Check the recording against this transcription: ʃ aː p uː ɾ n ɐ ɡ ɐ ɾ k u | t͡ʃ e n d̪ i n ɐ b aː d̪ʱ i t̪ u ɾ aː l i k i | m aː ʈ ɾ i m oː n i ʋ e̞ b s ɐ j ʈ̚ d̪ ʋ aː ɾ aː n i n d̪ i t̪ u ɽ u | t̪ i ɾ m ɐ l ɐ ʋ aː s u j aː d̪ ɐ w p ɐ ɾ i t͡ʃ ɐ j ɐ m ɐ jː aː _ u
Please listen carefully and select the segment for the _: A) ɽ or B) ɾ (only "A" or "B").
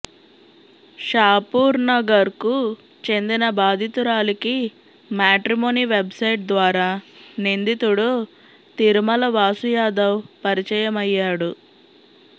A